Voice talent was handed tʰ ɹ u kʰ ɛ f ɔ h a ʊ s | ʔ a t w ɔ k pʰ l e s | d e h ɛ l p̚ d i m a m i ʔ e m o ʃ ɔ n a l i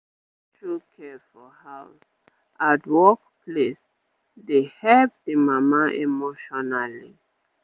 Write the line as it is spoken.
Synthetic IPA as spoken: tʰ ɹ u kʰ ɛ f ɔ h a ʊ s | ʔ a t w ɔ k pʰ l e s | d e h ɛ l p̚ d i m a m a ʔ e m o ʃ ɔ n a l i